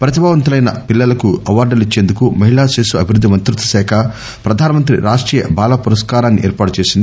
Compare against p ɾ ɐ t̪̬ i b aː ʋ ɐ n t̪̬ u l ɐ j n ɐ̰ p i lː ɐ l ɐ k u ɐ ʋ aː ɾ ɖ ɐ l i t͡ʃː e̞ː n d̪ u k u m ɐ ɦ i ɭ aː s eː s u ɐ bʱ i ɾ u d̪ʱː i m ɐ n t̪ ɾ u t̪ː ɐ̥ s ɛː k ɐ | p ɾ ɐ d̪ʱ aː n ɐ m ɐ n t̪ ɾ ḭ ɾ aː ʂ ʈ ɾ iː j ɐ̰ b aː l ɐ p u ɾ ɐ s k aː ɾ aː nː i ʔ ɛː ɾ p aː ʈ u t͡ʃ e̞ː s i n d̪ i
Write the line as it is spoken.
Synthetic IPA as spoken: p ɾ ɐ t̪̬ i b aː ʋ ɐ n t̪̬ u l ɐ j n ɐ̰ p i lː ɐ l ɐ k u ɐ ʋ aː ɾ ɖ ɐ l i t͡ʃː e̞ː n d̪ u k u m ɐ ɦ i ɭ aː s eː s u ɐ bʱ i ɾ u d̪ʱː i m ɐ n t̪ ɾ u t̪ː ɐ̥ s ɛː kʰ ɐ | p ɾ ɐ d̪ʱ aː n ɐ m ɐ n t̪ ɾ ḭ ɾ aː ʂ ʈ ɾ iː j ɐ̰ b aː l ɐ p u ɾ ɐ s k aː ɾ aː nː i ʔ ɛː ɾ p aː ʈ u t͡ʃ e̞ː s i n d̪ i

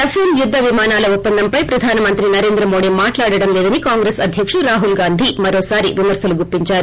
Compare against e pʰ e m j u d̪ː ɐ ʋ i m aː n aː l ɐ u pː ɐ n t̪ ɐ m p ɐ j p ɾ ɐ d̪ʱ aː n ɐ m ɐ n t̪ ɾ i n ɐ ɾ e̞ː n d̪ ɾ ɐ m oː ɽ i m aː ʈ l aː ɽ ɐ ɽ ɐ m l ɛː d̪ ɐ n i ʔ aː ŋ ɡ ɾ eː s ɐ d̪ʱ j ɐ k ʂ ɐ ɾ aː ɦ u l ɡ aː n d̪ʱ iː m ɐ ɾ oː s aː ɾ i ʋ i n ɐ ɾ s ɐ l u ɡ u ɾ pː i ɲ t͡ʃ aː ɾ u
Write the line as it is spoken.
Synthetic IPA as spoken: e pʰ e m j u d̪ː ɐ ʋ i m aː n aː l ɐ u pː ɐ n d̪ ɐ m p ɐ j p ɾ ɐ d̪ʱ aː n ɐ m ɐ n t̪ ɾ i n ɐ ɾ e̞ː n d̪ ɾ ɐ m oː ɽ i m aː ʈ l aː ɽ ɐ ɽ ɐ m l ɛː d̪ ɐ n i k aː ŋ ɡ ɾ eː s ɐ d̪ʱ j ɐ k ʂ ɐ ɾ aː ɦ u l ɡ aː n d̪ʱ i m ɐ ɾ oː s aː ɾ i ʋ i m ɐ ɾ s ɐ l u ɡ u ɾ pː i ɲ t͡ʃ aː ɾ u

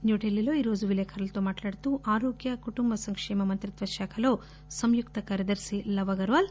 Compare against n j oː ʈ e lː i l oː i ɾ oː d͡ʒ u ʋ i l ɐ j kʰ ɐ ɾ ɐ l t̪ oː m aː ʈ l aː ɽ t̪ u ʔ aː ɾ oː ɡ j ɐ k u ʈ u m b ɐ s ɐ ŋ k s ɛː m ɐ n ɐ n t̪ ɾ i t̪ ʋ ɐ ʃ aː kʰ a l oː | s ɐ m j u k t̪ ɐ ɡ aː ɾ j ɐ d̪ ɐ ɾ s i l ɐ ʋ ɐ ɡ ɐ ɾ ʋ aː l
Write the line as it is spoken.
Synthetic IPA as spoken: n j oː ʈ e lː i l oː i ɾ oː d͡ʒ u ʋ i l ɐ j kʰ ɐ ɾ ɐ l t̪ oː m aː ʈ l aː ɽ t̪ u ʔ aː ɾ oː ɡ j ɐ k u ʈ u m b ɐ s ɐ ŋ k ʂ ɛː m ɐ m ɐ n t̪ ɾ i t̪ ʋ ɐ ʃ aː kʰ ɐ l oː | s ɐ m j u k t̪ ɐ k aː ɾ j ɐ d̪ ɐ ɾ s i l ɐ ʋ ɐ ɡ ɐ ɾ ʋ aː l

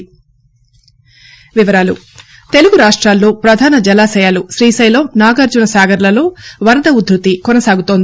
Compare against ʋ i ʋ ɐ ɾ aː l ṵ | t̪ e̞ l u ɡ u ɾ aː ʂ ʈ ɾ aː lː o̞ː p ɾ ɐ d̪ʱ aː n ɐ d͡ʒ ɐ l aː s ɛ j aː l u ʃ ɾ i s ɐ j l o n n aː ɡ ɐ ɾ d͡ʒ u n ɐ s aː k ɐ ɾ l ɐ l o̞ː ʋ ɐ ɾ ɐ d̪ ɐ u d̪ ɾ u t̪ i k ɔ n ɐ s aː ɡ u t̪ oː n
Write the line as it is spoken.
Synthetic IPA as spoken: ʋ i ʋ ɐ ɾ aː l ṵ | t̪ e̞ l u ɡ u ɾ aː ʂ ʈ ɾ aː lː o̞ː p ɾ ɐ d̪ʱ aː n ɐ d͡ʒ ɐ l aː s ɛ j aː l u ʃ ɾ iː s ɐ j l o m n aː ɡ ɐ ɾ d͡ʒ u n ɐ s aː ɡ ɐ ɾ l ɐ l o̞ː ʋ ɐ ɾ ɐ d̪ ɐ u d̪ ɾ u t̪ i k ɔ n ɐ s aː ɡ u t̪ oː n

